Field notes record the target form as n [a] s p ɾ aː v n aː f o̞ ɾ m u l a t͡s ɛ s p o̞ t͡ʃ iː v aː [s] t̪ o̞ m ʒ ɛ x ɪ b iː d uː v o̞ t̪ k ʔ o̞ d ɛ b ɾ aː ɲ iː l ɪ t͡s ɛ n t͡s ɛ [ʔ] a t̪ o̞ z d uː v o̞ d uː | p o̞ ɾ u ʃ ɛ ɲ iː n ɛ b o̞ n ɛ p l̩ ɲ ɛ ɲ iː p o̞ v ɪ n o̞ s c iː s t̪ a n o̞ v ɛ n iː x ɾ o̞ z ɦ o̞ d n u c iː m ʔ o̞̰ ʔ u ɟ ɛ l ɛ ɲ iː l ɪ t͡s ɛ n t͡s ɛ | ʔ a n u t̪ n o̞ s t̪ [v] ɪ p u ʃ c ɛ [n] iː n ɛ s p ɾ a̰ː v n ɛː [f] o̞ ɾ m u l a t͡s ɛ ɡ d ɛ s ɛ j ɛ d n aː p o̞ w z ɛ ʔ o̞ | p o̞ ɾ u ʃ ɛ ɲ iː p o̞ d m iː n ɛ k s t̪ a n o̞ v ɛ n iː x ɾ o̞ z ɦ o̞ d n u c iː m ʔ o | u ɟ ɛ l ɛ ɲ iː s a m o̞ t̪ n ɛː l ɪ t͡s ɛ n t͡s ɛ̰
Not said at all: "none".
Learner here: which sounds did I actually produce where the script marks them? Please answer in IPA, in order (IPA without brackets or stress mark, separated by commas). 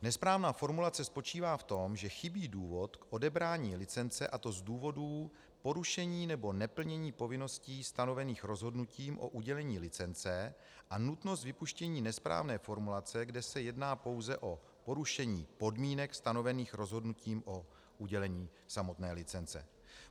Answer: ɛ, f, ʔ, v, ɲ, f